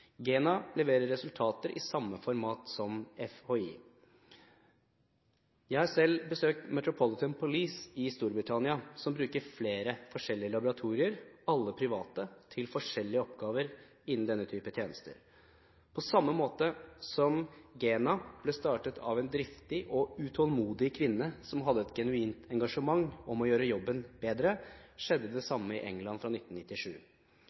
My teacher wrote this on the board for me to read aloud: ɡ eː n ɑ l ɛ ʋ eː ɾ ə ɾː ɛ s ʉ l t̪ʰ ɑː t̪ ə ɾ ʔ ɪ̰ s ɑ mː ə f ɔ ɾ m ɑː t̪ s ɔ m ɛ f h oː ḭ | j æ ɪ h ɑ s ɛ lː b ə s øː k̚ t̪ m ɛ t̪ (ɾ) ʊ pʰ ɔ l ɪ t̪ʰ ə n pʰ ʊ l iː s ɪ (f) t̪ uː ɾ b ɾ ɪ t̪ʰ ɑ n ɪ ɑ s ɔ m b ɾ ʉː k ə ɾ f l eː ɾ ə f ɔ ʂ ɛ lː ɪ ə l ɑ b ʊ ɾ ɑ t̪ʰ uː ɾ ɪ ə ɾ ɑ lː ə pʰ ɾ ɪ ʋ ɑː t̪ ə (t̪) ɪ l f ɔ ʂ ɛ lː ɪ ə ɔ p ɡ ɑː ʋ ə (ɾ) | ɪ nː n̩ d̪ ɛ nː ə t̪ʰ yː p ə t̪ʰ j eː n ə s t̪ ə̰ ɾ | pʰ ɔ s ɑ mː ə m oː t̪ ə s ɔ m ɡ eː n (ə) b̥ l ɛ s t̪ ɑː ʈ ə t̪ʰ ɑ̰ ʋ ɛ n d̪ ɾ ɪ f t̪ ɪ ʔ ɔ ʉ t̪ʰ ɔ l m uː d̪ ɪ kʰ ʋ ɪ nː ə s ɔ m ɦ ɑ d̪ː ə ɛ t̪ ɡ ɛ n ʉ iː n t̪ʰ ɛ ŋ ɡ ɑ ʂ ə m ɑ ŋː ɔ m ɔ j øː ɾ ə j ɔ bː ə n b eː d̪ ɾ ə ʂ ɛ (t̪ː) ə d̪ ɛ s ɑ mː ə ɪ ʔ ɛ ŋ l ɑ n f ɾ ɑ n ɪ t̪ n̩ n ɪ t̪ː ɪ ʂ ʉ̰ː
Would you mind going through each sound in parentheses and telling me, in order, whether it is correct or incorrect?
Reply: correct, incorrect: s, incorrect: t̪ʰ, correct, incorrect: ɑ, incorrect: d̪ː

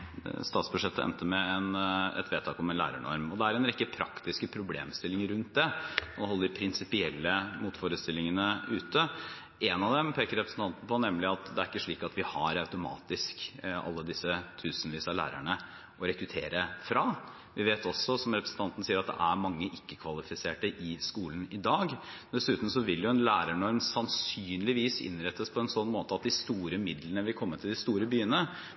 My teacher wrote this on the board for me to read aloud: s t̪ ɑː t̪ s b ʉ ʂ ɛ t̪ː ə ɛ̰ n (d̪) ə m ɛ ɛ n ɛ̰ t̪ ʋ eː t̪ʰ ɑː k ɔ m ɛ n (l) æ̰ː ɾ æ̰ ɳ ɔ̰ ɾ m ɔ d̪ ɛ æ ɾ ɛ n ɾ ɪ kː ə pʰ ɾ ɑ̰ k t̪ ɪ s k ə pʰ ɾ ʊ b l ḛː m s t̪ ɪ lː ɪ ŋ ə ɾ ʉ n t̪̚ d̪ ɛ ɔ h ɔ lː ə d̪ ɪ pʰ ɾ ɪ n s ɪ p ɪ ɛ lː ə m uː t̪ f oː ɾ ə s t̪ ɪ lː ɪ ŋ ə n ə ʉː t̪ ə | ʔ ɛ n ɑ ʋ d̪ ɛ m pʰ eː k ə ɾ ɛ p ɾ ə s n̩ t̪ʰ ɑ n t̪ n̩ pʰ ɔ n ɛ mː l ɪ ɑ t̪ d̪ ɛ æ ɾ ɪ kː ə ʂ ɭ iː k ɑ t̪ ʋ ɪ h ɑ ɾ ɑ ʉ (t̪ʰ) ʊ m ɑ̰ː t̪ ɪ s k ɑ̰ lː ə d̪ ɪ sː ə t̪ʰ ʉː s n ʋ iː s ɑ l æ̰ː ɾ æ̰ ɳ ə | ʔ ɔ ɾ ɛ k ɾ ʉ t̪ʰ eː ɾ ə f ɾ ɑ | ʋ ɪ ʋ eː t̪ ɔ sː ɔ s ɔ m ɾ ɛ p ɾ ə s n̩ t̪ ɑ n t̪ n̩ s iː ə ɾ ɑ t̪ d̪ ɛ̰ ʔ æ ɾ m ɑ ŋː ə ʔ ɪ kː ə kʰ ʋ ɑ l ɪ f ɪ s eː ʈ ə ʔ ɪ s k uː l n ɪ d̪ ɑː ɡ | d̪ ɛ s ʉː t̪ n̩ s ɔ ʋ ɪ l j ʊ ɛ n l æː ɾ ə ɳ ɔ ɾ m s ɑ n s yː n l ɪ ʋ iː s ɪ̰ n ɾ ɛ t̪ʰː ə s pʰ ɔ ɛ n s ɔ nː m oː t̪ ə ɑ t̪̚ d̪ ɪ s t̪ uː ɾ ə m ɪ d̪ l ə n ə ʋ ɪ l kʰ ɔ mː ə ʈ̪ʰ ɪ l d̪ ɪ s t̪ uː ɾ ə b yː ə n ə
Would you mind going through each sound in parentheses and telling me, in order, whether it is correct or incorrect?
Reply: incorrect: t̪, correct, incorrect: t̪

